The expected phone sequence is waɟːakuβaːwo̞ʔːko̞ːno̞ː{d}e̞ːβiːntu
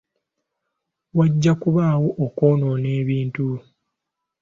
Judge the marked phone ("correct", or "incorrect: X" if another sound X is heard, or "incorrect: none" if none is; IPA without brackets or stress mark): incorrect: n